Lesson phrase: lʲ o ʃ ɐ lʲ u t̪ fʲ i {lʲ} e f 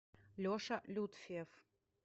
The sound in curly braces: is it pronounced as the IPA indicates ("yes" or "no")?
no